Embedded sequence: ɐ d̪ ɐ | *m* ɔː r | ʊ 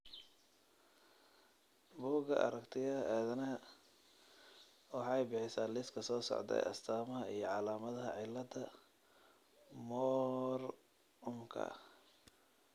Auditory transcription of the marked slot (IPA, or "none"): m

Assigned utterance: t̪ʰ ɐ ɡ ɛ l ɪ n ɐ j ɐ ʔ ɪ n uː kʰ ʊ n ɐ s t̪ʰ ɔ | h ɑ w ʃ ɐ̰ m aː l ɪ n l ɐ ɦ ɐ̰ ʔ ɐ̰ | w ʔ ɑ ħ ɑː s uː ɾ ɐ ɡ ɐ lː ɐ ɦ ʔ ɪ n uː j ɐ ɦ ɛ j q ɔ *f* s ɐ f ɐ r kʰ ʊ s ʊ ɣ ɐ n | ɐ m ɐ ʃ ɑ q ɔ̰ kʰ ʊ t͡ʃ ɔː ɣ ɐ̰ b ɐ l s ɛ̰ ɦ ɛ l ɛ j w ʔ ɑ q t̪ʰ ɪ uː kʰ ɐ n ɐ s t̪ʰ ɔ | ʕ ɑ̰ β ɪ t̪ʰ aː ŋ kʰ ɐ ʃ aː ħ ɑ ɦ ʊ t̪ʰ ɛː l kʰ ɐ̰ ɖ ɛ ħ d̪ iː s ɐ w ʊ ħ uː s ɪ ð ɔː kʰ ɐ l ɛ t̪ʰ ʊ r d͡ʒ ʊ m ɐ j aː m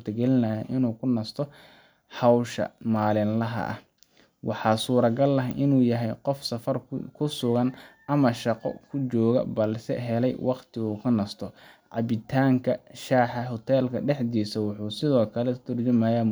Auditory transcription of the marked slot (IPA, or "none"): f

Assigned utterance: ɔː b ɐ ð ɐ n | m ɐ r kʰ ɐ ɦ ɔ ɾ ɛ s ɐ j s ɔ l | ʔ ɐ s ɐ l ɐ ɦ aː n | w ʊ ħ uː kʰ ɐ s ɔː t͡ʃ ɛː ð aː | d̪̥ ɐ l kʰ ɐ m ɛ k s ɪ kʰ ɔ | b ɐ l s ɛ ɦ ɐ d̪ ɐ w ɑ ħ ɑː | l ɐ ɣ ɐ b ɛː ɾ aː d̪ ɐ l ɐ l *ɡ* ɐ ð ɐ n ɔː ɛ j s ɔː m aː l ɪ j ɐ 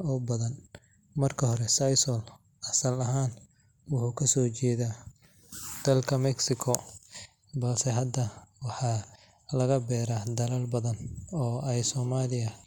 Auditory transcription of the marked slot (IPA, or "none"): b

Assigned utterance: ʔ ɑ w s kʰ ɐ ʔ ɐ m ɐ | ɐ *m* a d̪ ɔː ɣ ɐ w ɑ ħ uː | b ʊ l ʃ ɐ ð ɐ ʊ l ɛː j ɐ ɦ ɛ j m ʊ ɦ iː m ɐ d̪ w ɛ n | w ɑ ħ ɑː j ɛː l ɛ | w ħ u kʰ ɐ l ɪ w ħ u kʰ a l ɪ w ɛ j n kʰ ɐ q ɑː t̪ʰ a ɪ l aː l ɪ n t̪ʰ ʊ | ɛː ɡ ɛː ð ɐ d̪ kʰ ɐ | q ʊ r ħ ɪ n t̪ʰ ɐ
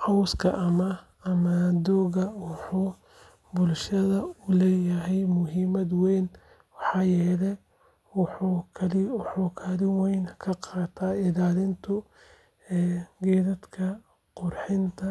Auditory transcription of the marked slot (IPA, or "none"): m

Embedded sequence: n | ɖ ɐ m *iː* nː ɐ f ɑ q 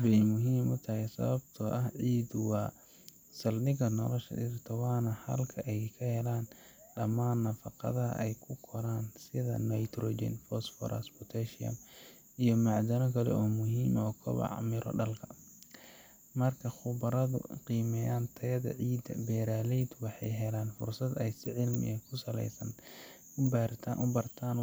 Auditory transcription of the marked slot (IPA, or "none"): aː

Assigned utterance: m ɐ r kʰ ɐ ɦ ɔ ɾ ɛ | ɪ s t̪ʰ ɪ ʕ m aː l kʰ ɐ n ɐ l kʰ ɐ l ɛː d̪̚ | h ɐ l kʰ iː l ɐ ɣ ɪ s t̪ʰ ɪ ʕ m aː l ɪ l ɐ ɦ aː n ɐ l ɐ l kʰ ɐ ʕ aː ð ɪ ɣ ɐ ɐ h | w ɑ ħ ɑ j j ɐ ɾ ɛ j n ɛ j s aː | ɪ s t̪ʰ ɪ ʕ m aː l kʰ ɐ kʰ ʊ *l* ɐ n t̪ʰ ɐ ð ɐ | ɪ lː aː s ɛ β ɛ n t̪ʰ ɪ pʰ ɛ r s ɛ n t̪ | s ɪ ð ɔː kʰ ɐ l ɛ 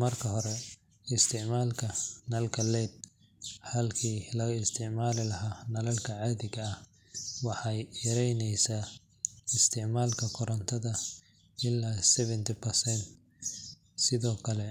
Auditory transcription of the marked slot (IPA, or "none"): ɾ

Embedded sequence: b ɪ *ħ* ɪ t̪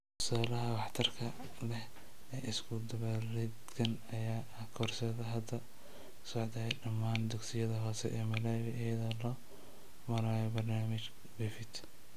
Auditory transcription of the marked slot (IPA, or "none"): f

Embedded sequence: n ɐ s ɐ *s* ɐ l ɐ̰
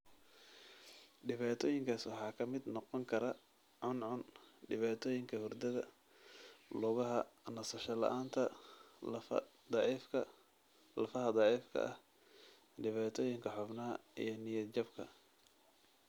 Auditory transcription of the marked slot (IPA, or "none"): ʃ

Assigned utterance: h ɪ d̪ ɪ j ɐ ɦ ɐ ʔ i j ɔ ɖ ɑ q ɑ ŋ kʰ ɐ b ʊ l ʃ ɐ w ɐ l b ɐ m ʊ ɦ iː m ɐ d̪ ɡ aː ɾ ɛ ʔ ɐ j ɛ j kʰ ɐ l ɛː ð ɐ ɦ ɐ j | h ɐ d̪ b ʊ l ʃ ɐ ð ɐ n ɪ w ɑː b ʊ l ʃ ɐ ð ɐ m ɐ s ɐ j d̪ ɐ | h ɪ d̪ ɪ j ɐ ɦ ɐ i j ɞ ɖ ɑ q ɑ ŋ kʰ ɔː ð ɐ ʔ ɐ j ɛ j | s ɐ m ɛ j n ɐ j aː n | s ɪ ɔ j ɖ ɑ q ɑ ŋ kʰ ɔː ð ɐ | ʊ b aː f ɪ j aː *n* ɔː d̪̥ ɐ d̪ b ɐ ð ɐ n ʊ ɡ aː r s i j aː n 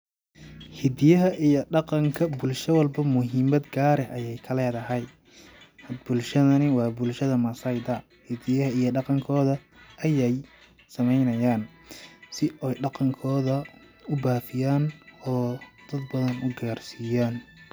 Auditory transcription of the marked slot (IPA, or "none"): n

